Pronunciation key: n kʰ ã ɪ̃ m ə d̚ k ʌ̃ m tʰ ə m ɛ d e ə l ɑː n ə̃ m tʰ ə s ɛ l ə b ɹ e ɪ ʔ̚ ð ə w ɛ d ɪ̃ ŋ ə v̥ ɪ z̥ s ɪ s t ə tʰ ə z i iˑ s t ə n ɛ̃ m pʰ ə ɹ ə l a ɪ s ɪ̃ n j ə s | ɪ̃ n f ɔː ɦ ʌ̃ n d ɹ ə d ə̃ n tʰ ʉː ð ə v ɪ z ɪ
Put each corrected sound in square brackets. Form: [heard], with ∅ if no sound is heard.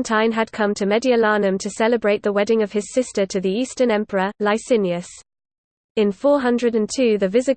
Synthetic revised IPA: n [tʰ] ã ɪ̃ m ə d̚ [kʰ] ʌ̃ m tʰ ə m ɛ d [i] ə l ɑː n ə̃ m tʰ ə s ɛ l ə b ɹ e ɪ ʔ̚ ð ə w ɛ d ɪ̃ ŋ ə v̥ ɪ z̥ s ɪ s t ə tʰ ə [ð] i iˑ s t ə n ɛ̃ m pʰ ə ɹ ə l a ɪ s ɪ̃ n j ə s | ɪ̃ n f ɔː ɦ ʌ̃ n d ɹ ə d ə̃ n tʰ ʉː ð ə v ɪ z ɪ